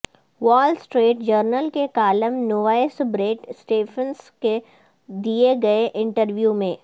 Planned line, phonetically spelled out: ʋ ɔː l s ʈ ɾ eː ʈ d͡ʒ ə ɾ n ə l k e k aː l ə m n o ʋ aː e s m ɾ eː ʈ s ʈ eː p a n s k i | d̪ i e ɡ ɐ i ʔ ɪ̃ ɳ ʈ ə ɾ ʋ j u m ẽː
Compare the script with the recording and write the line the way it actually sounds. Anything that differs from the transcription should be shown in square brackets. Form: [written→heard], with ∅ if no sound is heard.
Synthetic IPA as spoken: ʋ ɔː l s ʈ ɾ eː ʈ d͡ʒ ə ɾ n ə l k e k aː l ə m n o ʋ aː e s [m→b] ɾ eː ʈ s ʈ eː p [a→ə] n s k [i→e] | d̪ i e ɡ ɐ [i→e] ʔ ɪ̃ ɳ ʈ ə ɾ ʋ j u m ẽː

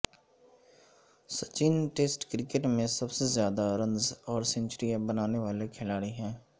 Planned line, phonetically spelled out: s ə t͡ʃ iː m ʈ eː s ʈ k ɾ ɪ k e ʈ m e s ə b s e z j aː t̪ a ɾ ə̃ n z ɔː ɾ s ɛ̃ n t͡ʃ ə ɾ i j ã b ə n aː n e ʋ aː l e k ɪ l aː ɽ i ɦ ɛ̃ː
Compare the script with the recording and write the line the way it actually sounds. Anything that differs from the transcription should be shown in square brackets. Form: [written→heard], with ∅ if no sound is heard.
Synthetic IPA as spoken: s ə t͡ʃ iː [m→n] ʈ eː s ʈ k ɾ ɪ k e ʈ m [e→ẽ] s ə b s e z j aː [t̪→d̪] a ɾ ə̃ n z ɔː ɾ s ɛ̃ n t͡ʃ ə ɾ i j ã b ə n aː n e ʋ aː l e [k→kʰ] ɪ l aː ɽ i ɦ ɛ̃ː

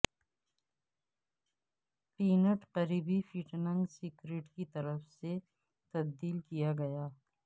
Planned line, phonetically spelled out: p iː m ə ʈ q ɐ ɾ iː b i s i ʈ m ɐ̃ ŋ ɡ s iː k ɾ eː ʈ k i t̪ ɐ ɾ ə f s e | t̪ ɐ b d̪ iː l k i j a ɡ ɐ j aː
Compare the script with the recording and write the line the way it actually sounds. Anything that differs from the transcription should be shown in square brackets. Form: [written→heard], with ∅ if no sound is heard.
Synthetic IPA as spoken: p iː [m→n] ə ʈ q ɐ ɾ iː b i [s→f] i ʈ [m→n] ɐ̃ ŋ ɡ s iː k ɾ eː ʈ k i t̪ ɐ ɾ ə f s e | t̪ ɐ b d̪ iː l k i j a ɡ ɐ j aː

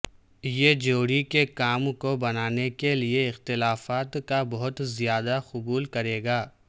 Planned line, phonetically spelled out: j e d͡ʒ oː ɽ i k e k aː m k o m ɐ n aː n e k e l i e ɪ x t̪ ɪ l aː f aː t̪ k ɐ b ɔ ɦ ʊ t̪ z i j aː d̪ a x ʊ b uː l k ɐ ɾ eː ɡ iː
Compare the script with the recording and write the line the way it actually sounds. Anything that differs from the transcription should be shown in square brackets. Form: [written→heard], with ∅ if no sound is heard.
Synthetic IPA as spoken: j e d͡ʒ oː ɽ i k e k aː m k o [m→b] ɐ n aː n e k e l i e ɪ x t̪ ɪ l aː f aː t̪ k [ɐ→a] b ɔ ɦ ʊ t̪ z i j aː d̪ a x ʊ b uː l k ɐ ɾ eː ɡ [iː→aː]

